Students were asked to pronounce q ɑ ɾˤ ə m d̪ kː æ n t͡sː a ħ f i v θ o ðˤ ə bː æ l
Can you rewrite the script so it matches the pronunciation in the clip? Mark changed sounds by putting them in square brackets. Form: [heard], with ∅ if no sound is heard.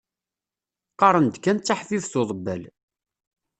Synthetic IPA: q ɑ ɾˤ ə [n] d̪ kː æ n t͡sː a ħ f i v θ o ðˤ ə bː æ l